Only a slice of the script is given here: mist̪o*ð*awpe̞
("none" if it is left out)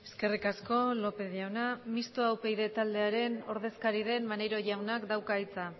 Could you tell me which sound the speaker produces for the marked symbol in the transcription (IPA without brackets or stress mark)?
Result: none